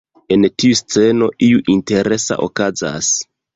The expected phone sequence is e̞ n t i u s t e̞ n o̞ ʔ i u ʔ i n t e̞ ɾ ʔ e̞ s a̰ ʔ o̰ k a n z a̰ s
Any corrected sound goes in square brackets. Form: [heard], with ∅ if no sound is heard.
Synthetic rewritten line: e̞ n t i u s [t͡s] e̞ n o̞ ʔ i u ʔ i n t e̞ ɾ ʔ e̞ s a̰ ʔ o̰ k a [∅] z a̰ s